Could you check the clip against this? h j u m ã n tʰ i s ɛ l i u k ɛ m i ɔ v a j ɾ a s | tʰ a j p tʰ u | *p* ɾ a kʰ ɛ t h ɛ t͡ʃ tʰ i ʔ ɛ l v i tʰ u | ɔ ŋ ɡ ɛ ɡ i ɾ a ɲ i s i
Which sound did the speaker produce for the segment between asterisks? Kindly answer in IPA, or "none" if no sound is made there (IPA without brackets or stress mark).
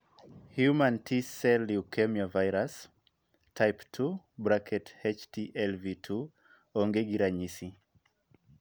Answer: b